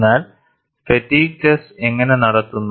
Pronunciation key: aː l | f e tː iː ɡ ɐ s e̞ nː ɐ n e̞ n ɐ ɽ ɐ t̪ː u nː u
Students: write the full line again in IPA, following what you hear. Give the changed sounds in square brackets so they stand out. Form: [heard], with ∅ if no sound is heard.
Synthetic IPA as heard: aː l | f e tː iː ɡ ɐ s e̞ [ŋː] ɐ n e̞ n ɐ ɽ ɐ t̪ː u nː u